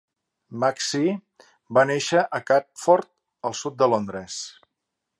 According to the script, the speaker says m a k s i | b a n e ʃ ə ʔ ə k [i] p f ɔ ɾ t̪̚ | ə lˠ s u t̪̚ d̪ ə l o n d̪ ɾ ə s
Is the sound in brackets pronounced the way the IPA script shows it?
no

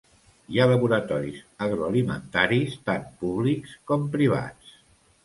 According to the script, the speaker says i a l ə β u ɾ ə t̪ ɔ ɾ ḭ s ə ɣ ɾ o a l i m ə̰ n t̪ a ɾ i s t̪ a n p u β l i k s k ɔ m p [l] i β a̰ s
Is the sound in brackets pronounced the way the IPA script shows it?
no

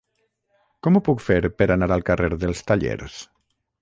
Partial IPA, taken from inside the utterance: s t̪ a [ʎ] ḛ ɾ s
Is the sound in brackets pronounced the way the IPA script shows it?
yes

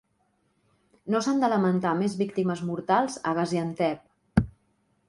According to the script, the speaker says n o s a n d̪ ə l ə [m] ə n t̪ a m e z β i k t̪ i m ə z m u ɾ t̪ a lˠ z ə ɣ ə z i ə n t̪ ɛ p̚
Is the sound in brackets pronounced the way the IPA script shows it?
yes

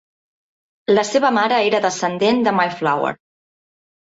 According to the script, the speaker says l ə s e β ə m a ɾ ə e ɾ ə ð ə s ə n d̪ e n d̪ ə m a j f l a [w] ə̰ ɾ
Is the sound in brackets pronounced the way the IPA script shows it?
yes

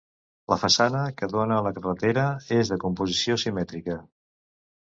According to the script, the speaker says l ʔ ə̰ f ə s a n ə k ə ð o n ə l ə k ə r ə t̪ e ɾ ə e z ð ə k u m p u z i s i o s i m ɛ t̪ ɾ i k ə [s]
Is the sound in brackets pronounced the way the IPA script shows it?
no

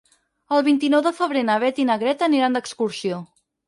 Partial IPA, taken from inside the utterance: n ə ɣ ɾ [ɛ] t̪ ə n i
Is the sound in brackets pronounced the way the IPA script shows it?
yes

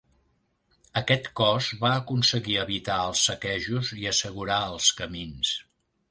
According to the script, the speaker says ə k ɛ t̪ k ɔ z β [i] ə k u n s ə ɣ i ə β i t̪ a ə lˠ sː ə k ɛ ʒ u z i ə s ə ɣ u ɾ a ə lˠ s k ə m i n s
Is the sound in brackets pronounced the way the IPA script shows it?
no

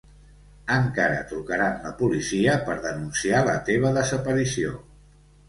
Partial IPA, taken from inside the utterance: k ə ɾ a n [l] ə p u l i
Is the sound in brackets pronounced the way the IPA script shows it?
yes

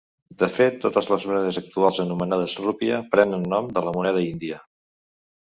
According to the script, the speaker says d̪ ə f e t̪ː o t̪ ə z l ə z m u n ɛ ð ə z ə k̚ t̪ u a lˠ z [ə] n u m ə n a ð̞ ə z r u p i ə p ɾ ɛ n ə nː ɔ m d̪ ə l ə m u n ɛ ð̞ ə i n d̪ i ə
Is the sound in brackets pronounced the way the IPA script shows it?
yes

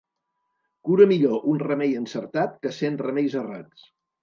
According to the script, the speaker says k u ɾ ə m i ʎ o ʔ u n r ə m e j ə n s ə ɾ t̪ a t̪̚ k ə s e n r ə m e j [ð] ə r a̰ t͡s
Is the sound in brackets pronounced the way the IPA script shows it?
no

